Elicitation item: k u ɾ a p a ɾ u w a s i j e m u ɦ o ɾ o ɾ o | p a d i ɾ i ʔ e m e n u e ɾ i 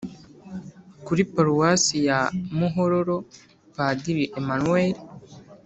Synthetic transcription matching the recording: k u ɾ i p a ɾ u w a s i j a m u ɦ o ɾ o ɾ o | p a d i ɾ i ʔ e m a n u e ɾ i